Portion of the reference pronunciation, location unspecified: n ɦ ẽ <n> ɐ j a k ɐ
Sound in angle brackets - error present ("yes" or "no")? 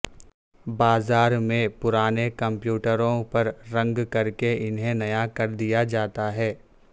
no